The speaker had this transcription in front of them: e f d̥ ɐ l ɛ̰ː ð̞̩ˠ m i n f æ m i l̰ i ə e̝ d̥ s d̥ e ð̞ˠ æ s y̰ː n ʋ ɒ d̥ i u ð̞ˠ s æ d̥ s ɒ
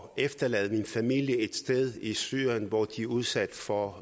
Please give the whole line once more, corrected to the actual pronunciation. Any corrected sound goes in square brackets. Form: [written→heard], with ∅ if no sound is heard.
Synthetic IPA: e f d̥ ɐ l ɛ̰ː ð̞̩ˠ m i n f æ m i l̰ [i→j] ə e̝ d̥ s d̥ e ð̞ˠ [æ→i] s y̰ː n ʋ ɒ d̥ i u ð̞ˠ s æ d̥ [s→f] ɒ